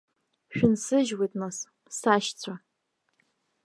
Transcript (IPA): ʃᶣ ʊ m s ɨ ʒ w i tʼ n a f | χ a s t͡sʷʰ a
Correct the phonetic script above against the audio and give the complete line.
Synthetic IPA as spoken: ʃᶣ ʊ n s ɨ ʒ w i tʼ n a s | s a ʃ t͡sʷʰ a